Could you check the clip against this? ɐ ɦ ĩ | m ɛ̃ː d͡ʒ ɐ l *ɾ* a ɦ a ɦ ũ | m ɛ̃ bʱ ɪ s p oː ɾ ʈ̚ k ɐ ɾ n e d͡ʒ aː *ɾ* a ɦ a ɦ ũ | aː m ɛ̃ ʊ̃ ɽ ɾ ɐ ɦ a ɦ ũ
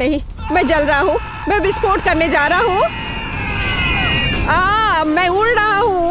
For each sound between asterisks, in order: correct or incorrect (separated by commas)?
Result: correct, correct